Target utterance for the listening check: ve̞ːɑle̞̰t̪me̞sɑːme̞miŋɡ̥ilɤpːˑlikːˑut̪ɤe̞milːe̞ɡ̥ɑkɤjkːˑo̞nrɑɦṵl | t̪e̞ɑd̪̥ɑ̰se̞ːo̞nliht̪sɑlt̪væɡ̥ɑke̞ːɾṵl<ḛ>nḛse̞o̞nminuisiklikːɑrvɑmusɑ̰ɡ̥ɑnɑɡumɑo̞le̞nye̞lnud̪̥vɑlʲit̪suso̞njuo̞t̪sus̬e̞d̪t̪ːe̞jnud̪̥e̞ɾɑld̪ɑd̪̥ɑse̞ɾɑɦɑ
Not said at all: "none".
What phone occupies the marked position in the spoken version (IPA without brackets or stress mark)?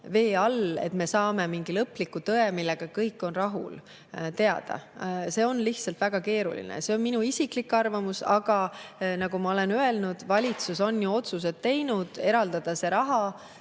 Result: ḭ